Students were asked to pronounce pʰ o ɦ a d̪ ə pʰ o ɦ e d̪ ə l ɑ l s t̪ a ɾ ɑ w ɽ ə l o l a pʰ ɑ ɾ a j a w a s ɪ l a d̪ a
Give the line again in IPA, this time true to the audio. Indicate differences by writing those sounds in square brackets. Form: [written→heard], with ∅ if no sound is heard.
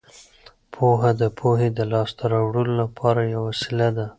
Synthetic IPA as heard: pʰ o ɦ a d̪ ə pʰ o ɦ e d̪ ə l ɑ [l→∅] s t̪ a ɾ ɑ w ɽ ə l o l a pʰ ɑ ɾ a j a w a s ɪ l a d̪ a